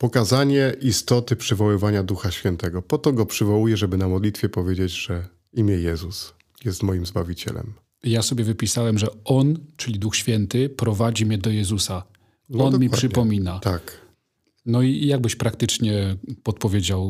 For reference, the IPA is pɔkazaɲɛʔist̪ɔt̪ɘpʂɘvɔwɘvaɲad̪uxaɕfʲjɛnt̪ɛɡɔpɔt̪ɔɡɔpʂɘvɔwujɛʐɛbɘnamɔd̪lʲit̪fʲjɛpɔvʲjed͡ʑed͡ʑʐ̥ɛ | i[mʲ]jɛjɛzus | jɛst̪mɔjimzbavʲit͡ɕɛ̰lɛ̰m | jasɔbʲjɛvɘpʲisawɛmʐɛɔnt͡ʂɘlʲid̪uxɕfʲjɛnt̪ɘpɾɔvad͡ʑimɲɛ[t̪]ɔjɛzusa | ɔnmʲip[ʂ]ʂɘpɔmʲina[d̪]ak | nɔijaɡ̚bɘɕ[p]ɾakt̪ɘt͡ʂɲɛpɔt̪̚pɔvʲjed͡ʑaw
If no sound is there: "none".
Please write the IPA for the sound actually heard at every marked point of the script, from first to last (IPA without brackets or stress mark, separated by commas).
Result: mʲ, d̪, ʂ, t̪, p